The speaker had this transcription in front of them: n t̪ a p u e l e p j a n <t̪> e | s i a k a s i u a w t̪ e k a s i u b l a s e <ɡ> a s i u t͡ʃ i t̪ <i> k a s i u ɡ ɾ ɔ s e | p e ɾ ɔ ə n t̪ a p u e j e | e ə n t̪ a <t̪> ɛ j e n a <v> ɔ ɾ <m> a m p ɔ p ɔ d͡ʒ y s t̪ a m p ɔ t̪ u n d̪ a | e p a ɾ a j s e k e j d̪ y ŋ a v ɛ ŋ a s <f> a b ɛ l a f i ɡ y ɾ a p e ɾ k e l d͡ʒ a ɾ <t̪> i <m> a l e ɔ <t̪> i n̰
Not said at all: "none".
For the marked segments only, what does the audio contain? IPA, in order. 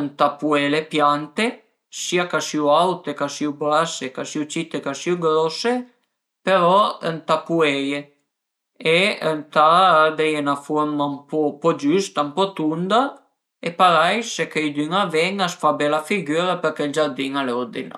t̪, k, e, d̪, f, m, f, d̪, ŋ, d̪

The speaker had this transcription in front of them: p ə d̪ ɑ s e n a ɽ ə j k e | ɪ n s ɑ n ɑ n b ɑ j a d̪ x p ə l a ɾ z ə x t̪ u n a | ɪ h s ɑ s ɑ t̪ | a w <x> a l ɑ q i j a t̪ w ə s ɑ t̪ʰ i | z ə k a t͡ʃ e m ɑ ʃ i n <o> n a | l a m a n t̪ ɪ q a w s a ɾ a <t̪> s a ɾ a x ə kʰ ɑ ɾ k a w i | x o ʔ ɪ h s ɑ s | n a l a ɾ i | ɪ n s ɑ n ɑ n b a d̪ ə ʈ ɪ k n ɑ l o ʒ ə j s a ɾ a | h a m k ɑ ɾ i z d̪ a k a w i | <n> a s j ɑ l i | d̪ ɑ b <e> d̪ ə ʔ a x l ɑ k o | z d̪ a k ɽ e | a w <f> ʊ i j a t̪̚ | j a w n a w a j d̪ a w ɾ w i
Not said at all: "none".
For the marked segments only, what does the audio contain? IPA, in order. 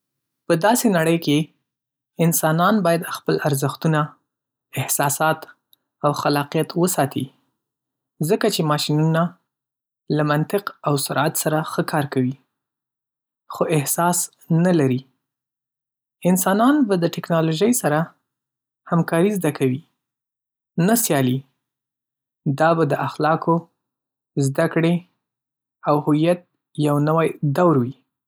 x, u, t̪, n, a, h

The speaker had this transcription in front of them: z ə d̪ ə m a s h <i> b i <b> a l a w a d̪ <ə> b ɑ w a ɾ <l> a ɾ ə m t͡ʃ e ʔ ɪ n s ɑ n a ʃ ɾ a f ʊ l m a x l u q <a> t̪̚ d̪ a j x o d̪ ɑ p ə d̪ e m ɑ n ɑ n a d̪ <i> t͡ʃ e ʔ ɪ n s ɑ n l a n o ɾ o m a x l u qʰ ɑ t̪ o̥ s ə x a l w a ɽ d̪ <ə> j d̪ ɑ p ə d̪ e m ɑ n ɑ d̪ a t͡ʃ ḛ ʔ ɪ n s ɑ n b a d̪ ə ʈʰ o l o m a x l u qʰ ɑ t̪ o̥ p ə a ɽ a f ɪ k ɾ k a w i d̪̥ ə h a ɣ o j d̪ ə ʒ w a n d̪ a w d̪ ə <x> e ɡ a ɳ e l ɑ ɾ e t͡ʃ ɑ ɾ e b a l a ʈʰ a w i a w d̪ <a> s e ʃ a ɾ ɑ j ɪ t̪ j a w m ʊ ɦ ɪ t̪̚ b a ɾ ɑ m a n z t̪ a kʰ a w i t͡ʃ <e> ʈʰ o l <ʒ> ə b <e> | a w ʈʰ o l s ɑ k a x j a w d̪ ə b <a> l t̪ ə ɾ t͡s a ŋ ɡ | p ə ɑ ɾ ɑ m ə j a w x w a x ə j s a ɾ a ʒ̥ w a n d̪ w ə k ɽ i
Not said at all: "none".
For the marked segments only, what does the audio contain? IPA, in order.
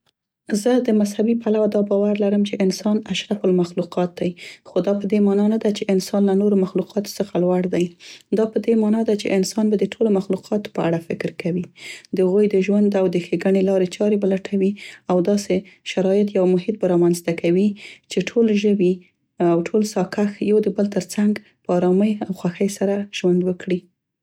a, p, ɑ, l, ɑ, a, a, x, ɑ, e, ʒ, i, ə

